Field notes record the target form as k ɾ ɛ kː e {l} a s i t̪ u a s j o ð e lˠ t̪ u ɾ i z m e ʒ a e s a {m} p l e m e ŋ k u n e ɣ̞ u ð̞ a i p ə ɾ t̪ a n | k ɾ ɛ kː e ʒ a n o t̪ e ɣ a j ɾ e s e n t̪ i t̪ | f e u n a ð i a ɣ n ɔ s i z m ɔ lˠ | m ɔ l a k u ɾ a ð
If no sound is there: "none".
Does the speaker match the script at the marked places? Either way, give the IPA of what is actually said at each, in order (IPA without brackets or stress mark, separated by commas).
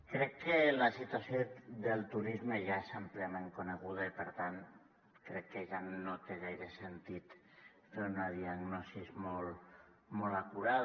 l, m